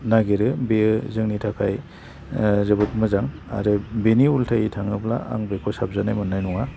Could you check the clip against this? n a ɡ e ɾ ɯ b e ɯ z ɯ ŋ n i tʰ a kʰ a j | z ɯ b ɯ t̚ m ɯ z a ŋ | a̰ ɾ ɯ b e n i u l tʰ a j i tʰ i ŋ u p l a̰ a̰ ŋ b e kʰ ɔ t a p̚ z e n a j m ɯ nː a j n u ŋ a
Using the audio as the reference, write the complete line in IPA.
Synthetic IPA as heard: n a ɡ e ɾ ɯ b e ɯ z ɯ ŋ n i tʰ a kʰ a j | z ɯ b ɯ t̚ m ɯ z a ŋ | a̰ ɾ ɯ b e n i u l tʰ a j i tʰ a ŋ ɯ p l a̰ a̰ ŋ b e kʰ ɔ s a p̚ z a n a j m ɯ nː a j n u ŋ a